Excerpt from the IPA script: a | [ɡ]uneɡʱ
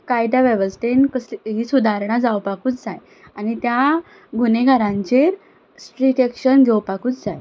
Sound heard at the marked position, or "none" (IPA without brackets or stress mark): ɡ